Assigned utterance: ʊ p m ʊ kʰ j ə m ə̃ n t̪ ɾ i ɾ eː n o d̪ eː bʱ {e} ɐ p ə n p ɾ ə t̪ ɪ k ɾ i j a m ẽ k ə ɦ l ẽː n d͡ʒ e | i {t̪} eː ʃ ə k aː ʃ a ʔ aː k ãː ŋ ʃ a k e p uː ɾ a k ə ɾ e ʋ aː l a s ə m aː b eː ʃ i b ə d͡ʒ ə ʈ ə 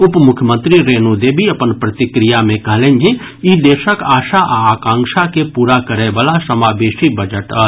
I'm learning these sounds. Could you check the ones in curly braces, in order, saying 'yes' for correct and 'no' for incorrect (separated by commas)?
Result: no, no